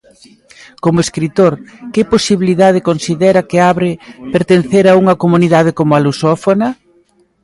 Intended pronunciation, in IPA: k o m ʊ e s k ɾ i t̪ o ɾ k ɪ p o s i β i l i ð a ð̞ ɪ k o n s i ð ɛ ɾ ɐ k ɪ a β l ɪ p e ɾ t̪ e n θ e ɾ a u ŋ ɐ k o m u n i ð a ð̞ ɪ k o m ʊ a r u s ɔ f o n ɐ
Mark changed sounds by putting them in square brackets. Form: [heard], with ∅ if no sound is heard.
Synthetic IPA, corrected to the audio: k o m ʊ e s k ɾ i t̪ o ɾ k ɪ p o s i β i l i ð a ð̞ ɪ k o n s i ð ɛ ɾ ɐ k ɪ a β [ɾ] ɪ p e ɾ t̪ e n θ e ɾ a u ŋ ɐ k o m u n i ð a ð̞ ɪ k o m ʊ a [l] u s ɔ f o n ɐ